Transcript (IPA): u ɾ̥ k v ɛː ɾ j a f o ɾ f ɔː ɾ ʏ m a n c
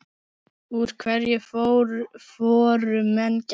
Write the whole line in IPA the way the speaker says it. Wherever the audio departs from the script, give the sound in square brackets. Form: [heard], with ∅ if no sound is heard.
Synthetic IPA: u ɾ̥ [kʰ] v [ɛ] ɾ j [ɛ] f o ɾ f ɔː ɾ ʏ m [ɛ] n c

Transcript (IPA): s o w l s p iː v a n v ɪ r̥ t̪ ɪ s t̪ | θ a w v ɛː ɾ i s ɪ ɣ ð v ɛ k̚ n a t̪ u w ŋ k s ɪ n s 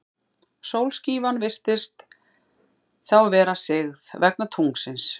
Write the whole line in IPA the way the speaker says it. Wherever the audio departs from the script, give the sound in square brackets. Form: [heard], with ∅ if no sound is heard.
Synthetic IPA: s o w l s [c] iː v a n v ɪ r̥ t̪ ɪ s t̪ | θ a w v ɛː ɾ [a] s ɪ ɣ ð v ɛ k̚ n a [t̪ʰ] u [∅] ŋ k s ɪ n s

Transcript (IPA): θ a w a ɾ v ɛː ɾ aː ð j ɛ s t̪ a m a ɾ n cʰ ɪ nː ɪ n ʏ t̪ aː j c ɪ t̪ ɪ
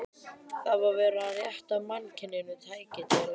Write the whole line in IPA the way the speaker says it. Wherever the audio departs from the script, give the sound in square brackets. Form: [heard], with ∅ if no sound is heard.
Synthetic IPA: θ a [v] a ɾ v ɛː ɾ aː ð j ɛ [h] t̪ a m a [∅] n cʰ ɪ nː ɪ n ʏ [t̪ʰ] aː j c ɪ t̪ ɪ

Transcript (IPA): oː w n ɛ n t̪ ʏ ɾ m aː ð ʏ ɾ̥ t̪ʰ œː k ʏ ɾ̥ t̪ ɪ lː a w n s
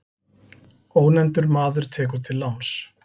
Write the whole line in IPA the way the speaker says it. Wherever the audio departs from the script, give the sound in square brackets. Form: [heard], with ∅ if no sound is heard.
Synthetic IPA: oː w n ɛ n t̪ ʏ ɾ m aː ð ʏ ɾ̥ t̪ʰ [ɛː] k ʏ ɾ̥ [t̪ʰ] ɪ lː a w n s

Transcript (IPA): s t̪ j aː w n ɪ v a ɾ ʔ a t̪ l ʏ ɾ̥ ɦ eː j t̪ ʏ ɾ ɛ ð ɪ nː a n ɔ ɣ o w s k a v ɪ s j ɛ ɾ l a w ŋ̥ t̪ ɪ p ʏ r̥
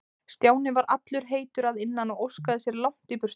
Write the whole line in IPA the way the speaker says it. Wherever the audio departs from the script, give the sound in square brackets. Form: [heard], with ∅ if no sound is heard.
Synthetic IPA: s t̪ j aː w n ɪ v a ɾ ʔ a t̪ l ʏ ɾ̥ ɦ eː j t̪ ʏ ɾ [a] ð ɪ nː a n ɔ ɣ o w s k a [ð] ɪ s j ɛ ɾ l a w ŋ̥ t̪ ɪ p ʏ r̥

